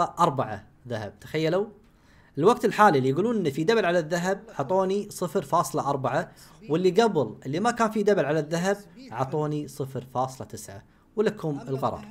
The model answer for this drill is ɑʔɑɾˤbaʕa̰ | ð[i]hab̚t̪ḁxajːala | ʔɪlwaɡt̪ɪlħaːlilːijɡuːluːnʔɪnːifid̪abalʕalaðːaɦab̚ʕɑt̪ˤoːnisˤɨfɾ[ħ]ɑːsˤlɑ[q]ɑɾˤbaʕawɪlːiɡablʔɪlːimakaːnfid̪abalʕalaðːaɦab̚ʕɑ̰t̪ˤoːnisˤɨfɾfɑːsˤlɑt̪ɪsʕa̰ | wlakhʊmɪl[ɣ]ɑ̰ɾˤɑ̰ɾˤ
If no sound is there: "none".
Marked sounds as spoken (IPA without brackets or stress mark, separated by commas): a, f, ʔ, ɣ